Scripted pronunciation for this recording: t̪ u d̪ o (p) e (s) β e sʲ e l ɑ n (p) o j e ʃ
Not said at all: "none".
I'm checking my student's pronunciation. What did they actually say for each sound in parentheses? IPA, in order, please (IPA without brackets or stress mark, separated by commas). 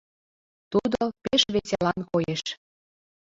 p, ʃ, k